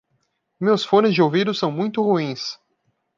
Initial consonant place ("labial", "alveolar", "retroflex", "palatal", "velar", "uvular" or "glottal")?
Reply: labial